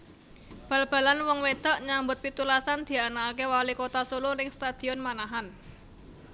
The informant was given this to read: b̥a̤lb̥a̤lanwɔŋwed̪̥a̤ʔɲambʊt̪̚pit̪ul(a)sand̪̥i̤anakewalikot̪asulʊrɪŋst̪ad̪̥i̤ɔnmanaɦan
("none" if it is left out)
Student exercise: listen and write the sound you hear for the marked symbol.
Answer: a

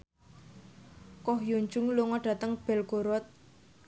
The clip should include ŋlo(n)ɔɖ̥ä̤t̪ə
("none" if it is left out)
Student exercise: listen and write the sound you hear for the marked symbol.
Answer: ŋ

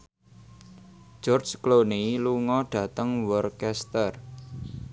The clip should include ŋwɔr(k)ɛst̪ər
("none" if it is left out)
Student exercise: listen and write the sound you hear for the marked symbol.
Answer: k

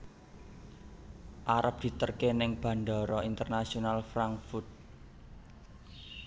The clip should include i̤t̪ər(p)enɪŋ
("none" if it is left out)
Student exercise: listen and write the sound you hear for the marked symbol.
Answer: k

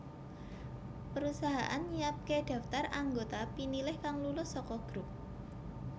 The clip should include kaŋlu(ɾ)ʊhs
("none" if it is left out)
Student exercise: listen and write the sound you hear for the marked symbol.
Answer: l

